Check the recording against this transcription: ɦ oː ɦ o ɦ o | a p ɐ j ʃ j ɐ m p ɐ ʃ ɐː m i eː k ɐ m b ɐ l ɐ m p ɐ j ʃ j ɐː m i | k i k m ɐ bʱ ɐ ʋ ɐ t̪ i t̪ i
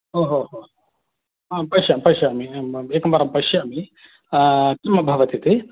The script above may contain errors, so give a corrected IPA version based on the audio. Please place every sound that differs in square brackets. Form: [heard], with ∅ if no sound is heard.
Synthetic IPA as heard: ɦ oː ɦ o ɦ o | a p ɐ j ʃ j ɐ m p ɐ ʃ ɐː m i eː k ɐ m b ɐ [ɾ] ɐ m p ɐ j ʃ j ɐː m i | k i [∅] m ɐ bʱ ɐ ʋ ɐ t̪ i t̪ i